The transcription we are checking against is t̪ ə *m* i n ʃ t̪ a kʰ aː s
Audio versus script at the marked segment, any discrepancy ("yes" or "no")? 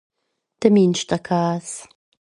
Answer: no